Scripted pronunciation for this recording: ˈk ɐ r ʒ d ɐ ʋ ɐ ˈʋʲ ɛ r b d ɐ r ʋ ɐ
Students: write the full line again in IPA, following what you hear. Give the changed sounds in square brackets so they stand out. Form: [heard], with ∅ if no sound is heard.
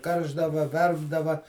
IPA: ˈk ɐ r ʒ d ɐ ʋ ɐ ˈʋʲ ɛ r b d ɐ [∅] ʋ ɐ